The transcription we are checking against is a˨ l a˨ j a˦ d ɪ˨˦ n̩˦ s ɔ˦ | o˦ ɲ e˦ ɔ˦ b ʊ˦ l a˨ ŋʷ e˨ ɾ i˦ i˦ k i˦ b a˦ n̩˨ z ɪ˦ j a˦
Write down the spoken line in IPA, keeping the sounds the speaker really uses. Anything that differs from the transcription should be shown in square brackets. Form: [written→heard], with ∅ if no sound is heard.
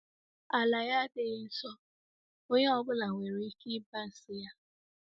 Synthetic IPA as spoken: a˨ l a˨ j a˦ d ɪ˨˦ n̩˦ s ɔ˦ | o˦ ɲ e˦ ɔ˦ b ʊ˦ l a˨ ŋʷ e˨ ɾ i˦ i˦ k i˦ b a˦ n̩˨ [z→s] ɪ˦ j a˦